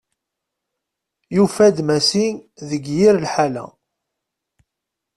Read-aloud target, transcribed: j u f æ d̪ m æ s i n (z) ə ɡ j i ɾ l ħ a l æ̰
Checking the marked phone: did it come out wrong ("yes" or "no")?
yes